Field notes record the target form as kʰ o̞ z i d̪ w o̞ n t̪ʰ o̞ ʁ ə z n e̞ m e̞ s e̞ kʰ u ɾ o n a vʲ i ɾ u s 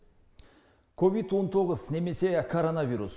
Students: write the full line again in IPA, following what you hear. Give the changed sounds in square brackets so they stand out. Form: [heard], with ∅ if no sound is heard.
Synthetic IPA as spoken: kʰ o̞ [v] i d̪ w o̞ n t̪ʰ o̞ ʁ ə z n e̞ m e̞ s e̞ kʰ [o] ɾ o n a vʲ i ɾ u s